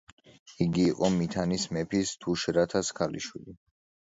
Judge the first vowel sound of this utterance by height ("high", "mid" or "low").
high